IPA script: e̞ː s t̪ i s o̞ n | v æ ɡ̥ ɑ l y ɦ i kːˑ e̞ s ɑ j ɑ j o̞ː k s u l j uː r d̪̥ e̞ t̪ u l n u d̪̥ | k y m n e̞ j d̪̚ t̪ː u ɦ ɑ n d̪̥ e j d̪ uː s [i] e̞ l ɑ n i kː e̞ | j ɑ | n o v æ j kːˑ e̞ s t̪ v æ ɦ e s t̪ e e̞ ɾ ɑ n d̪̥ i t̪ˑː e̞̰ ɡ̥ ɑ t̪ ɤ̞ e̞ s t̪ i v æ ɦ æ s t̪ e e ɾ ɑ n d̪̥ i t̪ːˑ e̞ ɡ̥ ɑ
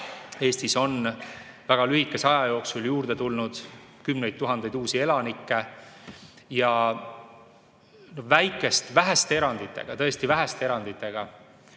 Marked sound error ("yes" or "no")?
no